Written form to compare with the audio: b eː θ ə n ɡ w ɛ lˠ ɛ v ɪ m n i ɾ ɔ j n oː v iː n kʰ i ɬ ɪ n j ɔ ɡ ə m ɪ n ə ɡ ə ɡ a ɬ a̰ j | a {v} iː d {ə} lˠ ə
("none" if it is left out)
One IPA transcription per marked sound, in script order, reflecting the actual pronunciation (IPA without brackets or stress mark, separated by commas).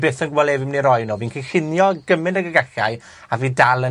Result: v, a